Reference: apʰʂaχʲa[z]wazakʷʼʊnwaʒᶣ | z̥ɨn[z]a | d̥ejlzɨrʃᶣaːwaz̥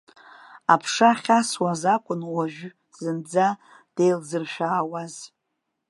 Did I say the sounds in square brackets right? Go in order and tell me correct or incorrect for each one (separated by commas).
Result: incorrect, incorrect